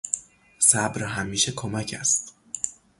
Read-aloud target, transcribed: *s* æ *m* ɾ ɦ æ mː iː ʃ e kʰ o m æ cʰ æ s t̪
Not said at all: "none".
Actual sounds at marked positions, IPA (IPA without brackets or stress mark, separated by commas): s, b